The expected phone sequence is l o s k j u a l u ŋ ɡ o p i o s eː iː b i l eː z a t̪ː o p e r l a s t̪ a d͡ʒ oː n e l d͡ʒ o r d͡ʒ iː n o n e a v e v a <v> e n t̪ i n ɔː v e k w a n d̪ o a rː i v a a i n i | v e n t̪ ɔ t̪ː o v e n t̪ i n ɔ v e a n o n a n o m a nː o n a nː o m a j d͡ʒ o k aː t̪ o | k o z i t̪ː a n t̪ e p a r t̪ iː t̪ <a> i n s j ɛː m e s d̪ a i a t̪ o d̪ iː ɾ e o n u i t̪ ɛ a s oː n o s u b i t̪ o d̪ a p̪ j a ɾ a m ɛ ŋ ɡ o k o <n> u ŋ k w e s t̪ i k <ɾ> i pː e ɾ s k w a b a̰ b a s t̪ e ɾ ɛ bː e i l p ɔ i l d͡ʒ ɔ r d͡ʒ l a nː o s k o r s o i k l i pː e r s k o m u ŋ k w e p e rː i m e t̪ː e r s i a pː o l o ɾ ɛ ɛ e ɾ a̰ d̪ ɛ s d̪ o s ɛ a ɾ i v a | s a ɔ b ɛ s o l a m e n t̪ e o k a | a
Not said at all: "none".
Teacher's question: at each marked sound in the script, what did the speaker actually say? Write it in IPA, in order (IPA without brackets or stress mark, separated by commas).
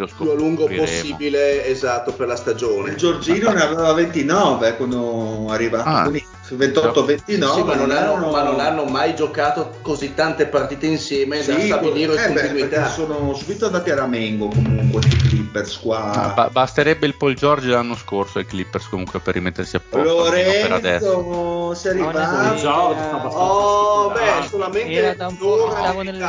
v, e, m, l